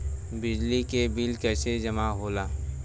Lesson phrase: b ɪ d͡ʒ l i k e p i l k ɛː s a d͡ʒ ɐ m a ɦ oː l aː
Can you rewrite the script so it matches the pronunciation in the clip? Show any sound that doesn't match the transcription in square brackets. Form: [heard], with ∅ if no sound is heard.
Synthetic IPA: b ɪ d͡ʒ l i k e [b] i l k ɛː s [e] d͡ʒ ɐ m a ɦ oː l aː